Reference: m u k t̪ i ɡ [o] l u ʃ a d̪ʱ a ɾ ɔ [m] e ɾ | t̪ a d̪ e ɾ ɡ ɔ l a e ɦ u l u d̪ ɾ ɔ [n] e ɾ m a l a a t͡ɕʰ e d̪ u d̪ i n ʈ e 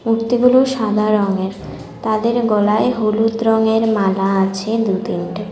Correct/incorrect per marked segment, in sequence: incorrect, incorrect, incorrect

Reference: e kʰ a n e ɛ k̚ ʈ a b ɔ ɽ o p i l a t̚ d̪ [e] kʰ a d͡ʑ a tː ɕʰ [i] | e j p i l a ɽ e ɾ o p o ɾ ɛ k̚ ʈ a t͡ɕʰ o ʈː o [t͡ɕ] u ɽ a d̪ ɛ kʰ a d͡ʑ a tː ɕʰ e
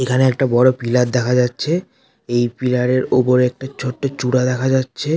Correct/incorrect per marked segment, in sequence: incorrect, incorrect, correct

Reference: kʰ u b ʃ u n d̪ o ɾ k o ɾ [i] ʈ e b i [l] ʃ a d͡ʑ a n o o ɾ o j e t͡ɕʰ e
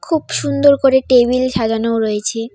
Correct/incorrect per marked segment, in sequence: incorrect, correct

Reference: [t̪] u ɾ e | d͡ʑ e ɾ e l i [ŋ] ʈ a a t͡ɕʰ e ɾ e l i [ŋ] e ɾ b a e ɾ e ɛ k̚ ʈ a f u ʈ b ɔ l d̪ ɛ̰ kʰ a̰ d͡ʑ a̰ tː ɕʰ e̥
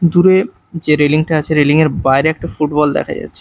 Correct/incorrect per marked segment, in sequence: incorrect, correct, correct

